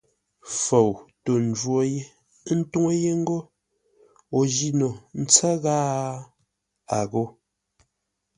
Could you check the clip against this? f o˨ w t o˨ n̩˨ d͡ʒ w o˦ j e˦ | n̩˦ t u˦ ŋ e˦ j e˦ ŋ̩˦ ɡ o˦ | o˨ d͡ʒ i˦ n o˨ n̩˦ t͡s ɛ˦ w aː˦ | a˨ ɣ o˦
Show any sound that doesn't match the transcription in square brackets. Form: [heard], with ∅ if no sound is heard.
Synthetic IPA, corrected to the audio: f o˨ w t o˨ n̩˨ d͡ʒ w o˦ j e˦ | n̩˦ t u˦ ŋ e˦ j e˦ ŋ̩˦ ɡ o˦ | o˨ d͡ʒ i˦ n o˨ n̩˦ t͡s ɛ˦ [ɣ] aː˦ | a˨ ɣ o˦